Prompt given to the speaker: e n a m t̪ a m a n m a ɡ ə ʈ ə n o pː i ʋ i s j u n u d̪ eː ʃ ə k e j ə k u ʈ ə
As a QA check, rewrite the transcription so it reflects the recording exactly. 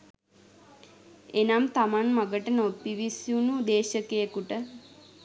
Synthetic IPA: e n a m t̪ a m a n m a ɡ ə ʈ ə n o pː i ʋ i s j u n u d̪ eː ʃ ə k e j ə k u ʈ ə